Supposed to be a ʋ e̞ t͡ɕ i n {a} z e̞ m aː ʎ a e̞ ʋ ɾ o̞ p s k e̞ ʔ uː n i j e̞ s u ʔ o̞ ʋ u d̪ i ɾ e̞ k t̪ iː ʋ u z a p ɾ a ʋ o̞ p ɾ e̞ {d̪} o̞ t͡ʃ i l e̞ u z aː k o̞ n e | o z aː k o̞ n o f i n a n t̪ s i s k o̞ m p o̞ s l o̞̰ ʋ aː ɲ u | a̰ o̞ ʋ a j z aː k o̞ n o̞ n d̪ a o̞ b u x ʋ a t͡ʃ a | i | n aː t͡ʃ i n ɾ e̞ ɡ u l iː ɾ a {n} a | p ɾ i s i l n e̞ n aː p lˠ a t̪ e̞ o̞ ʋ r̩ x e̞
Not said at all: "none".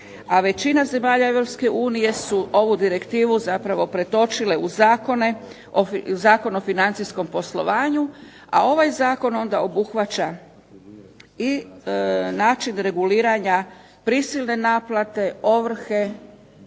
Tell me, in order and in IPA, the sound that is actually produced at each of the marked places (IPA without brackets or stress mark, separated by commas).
a, t̪, ɲ